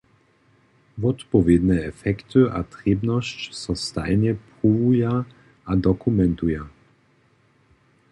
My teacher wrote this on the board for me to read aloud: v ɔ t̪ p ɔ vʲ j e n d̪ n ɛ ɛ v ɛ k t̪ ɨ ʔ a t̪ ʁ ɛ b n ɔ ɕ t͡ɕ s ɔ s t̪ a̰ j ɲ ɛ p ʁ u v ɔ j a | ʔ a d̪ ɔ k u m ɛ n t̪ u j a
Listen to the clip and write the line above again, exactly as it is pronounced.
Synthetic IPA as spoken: v ɔ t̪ p ɔ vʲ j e d̪ n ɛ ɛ f ɛ k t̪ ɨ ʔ a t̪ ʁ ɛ b n ɔ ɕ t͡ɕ s ɔ s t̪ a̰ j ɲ ɛ p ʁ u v u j a | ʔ a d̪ ɔ k u m ɛ n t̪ u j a